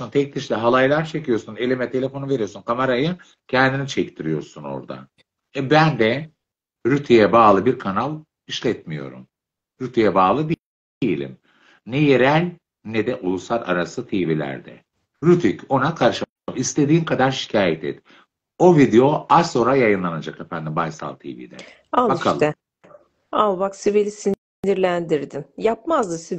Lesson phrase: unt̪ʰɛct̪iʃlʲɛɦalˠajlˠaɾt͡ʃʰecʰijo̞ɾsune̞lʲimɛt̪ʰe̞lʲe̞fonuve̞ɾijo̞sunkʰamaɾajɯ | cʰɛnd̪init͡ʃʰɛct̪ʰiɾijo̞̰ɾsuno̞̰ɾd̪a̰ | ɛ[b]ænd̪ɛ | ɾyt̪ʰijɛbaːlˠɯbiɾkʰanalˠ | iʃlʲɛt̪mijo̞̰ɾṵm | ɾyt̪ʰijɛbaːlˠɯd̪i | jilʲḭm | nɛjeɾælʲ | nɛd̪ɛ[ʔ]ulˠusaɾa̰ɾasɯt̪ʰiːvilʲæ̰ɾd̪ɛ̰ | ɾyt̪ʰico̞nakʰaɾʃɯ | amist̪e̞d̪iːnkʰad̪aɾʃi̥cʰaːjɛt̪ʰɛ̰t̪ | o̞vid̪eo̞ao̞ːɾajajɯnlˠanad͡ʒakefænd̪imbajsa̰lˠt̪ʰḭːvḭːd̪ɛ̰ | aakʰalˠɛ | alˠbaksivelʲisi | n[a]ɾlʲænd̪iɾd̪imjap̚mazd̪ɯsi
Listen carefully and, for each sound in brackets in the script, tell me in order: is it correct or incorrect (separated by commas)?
correct, correct, incorrect